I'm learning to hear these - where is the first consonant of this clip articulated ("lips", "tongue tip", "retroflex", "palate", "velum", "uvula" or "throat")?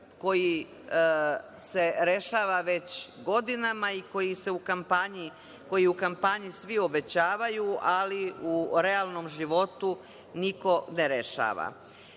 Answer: velum